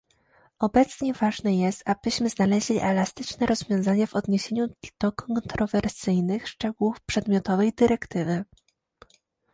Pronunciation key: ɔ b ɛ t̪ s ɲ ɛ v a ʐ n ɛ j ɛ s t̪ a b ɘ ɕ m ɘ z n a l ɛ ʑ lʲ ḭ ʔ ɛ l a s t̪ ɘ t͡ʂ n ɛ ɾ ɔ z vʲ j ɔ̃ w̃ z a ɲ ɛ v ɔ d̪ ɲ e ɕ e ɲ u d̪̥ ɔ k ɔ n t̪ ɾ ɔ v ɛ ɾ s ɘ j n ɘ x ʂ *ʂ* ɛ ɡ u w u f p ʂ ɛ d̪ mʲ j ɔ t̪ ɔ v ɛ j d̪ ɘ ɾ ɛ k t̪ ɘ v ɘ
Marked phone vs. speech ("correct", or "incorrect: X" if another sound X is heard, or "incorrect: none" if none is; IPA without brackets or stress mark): incorrect: t͡ʂ